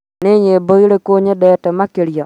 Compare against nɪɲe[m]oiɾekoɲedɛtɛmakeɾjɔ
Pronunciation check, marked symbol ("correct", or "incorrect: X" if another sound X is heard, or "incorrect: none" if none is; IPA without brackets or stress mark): incorrect: b